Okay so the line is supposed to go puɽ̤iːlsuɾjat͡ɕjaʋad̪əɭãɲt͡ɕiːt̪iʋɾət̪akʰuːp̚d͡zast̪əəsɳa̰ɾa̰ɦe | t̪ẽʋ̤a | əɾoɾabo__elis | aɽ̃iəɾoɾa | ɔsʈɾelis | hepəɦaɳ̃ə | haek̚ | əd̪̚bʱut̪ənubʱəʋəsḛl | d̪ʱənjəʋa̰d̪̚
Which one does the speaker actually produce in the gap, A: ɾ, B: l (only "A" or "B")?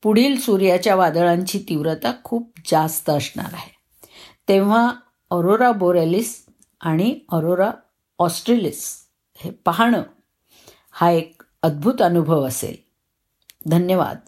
A